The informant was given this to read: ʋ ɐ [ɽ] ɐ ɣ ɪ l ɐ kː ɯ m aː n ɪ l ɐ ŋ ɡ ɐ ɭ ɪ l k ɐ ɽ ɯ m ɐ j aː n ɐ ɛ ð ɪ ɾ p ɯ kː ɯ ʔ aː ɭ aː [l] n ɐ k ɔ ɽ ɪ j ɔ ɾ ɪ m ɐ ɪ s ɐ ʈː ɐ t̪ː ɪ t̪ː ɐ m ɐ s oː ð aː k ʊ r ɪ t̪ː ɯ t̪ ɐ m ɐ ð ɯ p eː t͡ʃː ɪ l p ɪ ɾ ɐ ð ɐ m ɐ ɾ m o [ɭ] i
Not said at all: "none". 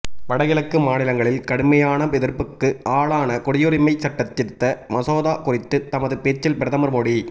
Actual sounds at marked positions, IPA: ɽ, none, ɽ

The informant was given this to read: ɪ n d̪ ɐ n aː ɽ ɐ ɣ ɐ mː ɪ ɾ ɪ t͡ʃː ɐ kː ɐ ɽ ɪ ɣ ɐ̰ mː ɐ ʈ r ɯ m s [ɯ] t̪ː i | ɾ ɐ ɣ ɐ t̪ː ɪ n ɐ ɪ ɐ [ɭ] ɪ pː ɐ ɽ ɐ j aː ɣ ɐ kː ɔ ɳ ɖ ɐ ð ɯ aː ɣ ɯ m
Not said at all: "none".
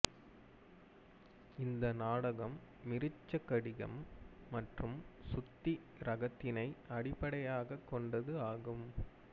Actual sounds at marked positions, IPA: ʊ, ɽ

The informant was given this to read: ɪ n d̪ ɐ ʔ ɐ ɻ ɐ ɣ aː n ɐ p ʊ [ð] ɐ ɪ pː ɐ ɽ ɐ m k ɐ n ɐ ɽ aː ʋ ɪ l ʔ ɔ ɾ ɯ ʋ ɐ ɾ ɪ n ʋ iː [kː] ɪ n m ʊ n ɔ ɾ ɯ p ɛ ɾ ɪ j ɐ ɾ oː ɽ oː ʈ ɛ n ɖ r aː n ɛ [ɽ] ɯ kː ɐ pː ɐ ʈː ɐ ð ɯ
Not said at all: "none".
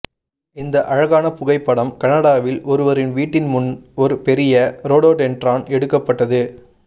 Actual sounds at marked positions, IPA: ɣ, ʈː, ɽ

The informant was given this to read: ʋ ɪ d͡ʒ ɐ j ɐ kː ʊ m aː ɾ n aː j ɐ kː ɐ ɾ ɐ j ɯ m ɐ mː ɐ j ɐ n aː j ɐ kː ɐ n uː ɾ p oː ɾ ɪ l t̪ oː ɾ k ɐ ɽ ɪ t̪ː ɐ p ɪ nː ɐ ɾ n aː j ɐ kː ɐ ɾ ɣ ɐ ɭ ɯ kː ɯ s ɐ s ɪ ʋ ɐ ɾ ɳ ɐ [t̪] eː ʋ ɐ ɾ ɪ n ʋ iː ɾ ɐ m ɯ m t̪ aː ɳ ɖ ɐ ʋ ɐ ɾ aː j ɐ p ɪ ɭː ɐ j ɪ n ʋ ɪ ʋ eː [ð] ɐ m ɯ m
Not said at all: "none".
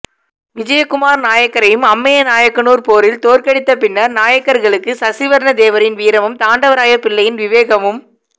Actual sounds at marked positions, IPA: d̪, ɣ

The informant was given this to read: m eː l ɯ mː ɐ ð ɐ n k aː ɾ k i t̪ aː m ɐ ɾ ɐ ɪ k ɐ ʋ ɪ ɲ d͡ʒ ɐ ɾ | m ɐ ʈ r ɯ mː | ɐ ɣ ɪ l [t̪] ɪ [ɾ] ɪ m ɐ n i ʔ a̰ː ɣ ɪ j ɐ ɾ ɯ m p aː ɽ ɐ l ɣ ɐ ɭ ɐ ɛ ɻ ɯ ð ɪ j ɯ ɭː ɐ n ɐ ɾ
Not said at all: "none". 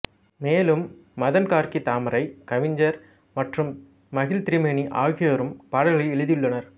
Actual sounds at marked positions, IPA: t̪, ɾ

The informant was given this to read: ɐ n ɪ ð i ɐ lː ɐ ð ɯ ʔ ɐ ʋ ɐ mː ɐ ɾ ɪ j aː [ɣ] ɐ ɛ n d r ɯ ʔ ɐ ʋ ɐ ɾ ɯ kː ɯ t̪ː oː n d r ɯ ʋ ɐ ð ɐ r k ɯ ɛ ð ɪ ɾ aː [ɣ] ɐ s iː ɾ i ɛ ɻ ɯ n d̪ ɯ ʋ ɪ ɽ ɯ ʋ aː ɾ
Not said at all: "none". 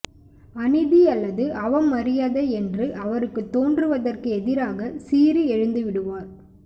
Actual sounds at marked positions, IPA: ð, ɣ

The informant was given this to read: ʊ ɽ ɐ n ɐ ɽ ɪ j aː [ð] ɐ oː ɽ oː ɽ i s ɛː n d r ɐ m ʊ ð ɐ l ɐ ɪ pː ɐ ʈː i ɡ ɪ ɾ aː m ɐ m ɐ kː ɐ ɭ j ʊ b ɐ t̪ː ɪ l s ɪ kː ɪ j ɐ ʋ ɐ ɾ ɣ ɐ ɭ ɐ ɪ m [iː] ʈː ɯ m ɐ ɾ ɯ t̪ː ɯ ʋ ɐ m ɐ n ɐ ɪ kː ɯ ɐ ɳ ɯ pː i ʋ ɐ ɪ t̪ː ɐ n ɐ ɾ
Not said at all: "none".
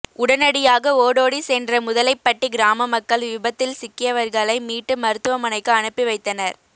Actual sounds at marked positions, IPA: ɣ, iː

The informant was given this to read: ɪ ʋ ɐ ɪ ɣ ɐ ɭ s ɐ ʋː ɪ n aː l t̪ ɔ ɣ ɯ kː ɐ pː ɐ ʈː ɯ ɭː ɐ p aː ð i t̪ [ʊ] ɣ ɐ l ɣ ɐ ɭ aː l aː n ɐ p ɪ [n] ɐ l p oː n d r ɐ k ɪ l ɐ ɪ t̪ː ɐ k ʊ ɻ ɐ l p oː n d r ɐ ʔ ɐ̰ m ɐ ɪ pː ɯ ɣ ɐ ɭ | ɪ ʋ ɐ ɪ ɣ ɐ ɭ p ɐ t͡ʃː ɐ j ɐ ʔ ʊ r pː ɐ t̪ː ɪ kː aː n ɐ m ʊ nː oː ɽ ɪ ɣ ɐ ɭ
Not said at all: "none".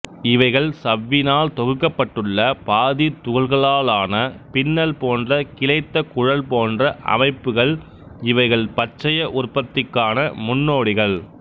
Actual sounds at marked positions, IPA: ʊ, nː

